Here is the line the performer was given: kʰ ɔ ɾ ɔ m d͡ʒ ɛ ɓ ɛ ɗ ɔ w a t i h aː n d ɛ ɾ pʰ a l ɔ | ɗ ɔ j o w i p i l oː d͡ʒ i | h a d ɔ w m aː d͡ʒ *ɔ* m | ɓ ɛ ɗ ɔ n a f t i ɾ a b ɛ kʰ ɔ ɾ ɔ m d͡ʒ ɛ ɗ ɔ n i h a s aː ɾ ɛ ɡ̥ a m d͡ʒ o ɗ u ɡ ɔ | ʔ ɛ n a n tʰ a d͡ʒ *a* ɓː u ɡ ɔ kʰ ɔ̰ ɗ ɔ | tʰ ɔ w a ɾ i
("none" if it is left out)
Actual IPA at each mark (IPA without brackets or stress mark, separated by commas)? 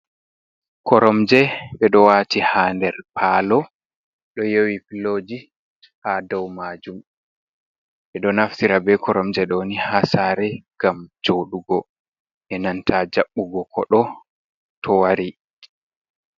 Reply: u, a